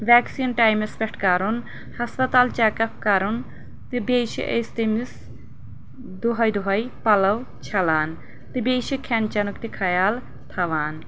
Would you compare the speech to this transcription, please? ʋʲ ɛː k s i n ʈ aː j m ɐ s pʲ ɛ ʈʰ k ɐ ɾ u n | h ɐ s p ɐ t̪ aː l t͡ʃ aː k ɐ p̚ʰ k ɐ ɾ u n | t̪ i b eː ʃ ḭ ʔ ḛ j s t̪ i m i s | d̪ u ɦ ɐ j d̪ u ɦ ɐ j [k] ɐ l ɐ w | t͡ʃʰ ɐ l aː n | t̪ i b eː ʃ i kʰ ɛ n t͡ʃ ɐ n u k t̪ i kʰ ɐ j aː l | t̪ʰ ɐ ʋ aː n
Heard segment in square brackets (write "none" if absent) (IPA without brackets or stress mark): p